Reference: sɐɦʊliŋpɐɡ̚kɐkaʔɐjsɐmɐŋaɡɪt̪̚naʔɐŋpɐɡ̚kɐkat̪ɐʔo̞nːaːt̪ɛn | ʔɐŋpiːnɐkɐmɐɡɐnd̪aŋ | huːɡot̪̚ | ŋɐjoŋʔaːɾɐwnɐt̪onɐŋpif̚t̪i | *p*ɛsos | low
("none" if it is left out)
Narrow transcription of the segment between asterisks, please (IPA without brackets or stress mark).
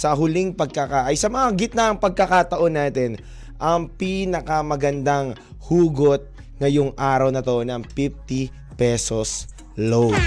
p